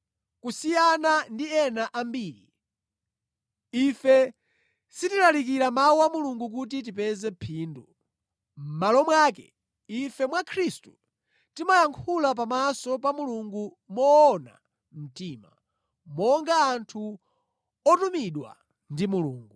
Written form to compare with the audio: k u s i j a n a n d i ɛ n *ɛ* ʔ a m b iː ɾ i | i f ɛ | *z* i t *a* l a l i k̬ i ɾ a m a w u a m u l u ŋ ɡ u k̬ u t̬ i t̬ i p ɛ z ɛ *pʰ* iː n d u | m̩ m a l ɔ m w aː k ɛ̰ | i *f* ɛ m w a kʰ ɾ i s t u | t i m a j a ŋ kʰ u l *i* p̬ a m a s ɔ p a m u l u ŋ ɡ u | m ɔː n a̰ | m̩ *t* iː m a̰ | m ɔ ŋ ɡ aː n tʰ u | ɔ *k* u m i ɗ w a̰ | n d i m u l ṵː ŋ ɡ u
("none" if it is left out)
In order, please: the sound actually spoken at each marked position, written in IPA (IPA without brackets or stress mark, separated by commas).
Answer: a, s, i, pʰ, f, a, t, t